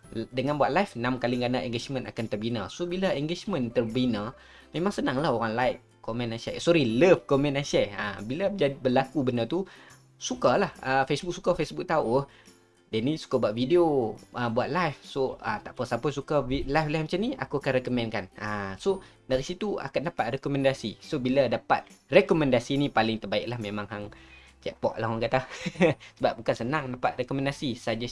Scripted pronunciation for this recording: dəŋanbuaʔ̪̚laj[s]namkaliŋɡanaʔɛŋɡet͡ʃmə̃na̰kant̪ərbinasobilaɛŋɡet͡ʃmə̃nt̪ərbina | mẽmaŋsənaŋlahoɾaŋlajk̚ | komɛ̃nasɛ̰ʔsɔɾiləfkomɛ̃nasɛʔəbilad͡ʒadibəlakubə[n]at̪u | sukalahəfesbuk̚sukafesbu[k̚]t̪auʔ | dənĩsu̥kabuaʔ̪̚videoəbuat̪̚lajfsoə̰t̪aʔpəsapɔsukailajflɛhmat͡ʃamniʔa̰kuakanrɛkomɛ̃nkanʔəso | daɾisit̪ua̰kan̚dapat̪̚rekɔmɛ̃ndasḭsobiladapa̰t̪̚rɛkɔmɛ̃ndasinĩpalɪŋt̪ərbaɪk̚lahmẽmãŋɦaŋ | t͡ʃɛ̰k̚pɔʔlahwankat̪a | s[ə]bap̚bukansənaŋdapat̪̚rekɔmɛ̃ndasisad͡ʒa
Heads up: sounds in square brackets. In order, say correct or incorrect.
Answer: incorrect: f, correct, correct, correct

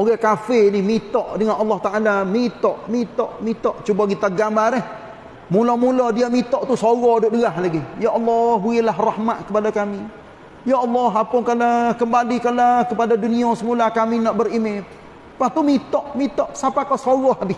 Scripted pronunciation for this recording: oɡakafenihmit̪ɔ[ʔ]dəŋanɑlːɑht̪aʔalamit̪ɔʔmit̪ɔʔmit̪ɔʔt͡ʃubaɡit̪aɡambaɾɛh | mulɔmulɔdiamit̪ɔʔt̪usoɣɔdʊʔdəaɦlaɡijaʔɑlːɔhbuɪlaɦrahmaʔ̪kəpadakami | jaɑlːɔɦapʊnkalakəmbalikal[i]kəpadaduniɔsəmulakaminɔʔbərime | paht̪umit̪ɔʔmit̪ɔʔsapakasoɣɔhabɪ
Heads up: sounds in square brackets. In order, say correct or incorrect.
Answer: correct, incorrect: a

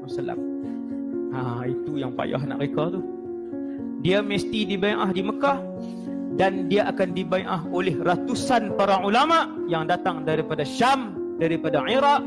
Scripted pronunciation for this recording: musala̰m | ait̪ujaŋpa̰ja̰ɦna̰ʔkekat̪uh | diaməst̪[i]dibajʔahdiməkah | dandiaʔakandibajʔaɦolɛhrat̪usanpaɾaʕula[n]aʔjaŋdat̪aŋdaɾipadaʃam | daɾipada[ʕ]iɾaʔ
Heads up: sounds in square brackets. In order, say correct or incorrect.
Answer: correct, incorrect: m, correct

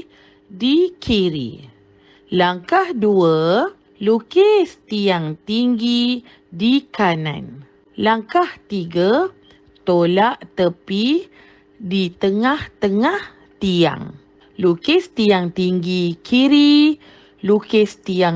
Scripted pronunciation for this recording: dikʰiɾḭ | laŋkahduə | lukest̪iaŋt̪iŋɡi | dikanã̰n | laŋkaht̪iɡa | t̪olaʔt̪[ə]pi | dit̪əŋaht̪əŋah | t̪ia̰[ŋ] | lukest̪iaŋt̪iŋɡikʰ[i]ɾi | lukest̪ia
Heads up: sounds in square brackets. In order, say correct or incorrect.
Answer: correct, correct, correct

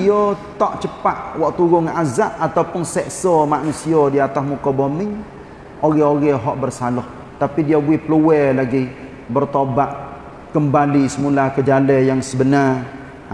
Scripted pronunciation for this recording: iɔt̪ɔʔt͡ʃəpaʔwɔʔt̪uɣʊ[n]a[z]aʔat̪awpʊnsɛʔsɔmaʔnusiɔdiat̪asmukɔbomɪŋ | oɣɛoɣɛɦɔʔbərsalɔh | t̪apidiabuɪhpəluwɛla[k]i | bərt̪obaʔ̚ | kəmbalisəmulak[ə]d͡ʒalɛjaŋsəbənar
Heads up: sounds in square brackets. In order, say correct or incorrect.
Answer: incorrect: ŋ, correct, incorrect: ɡ, correct

